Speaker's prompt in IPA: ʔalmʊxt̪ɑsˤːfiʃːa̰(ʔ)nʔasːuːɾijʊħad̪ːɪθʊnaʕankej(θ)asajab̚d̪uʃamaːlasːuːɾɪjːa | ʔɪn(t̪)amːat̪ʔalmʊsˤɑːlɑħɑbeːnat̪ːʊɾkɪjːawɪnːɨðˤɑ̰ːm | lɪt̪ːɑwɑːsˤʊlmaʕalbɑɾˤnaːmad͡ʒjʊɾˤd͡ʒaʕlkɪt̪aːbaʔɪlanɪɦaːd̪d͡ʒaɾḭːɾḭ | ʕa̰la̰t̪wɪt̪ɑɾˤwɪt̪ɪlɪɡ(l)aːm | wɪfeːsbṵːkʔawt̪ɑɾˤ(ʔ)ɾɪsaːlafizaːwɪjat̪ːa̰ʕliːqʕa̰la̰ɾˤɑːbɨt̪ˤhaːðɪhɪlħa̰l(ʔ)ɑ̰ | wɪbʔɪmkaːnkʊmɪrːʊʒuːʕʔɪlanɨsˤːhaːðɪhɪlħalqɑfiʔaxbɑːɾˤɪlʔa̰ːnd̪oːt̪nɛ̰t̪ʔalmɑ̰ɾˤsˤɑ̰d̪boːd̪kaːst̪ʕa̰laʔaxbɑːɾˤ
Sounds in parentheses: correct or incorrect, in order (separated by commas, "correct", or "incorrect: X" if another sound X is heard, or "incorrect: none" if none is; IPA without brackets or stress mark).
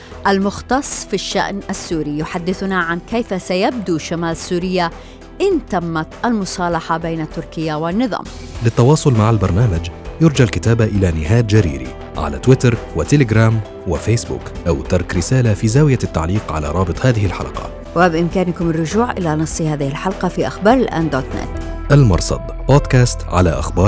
correct, incorrect: f, correct, incorrect: ɾ, incorrect: k, incorrect: q